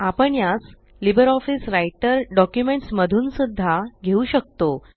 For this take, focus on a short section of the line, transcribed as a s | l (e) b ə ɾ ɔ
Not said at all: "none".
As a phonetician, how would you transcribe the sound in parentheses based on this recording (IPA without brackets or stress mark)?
i